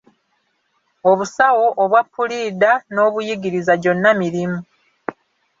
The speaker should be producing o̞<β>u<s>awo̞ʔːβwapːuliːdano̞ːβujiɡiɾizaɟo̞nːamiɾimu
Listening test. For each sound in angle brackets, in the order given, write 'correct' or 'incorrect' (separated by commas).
correct, correct